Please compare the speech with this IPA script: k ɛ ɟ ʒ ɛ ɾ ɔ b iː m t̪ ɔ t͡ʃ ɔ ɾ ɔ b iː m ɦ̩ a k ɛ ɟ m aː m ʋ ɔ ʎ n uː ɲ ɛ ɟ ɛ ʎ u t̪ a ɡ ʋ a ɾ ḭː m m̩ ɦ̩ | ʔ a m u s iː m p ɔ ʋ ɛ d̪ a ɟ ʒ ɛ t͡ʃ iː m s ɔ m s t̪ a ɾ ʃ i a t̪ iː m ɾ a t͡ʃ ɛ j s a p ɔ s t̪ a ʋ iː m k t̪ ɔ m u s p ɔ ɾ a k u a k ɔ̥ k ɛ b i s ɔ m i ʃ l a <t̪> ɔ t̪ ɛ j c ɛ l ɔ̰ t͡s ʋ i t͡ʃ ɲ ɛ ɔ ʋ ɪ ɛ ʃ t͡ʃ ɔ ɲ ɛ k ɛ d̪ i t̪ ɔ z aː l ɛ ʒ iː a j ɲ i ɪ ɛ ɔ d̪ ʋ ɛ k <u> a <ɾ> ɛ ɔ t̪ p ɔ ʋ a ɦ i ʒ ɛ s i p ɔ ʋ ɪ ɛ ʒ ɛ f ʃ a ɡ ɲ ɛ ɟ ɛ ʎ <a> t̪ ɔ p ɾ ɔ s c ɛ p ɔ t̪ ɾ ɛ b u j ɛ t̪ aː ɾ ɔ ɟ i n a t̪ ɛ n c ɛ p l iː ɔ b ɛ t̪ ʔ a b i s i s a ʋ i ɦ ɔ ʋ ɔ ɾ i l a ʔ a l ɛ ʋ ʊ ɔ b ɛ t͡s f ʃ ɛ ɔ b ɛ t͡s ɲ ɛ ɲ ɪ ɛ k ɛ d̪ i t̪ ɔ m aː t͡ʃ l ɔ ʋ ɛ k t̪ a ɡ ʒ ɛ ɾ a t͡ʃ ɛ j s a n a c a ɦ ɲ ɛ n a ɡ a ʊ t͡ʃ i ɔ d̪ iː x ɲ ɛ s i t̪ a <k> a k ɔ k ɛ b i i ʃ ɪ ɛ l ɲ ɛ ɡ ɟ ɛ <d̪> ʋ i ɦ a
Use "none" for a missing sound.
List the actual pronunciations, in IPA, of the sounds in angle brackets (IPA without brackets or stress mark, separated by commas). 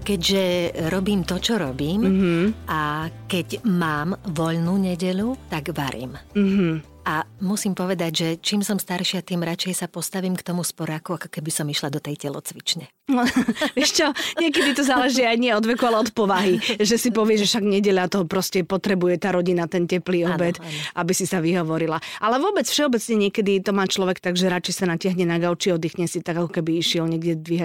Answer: d̪, u, l, a, ɡ, d̪